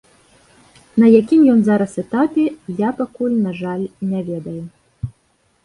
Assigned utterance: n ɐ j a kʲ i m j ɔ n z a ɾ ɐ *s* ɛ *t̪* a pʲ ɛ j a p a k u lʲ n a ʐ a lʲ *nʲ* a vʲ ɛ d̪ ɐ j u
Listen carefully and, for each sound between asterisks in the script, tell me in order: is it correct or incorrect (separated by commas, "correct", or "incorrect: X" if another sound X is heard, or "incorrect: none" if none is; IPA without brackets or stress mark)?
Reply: correct, correct, correct